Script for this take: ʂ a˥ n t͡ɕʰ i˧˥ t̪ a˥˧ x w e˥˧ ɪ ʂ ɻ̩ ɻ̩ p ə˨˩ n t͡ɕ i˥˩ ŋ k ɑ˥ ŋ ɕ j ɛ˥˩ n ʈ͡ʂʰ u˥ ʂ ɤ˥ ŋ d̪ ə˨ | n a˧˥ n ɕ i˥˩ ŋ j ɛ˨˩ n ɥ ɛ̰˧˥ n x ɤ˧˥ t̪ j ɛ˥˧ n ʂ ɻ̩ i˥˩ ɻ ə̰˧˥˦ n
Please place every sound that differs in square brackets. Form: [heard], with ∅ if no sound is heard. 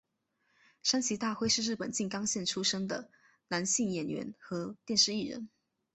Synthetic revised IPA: ʂ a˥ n t͡ɕʰ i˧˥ t̪ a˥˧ x w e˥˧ ɪ ʂ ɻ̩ ɻ̩ p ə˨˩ n t͡ɕ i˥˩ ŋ k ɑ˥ ŋ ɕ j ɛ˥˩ n ʈ͡ʂʰ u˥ ʂ ɤ˥ ŋ d̪ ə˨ | n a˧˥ n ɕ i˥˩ ŋ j ɛ˨˩ n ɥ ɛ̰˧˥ n x ɤ˧˥ t̪ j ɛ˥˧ n ʂ ɻ̩ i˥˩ ɻ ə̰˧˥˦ n